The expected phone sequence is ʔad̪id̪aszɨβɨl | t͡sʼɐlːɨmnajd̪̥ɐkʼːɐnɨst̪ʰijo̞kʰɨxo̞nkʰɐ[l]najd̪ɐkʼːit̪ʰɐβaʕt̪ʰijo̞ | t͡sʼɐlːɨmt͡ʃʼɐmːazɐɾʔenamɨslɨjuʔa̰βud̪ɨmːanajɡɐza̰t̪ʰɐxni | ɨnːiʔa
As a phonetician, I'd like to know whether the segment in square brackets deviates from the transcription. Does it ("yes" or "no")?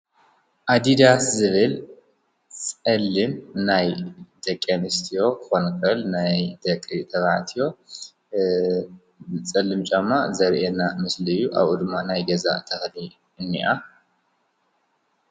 no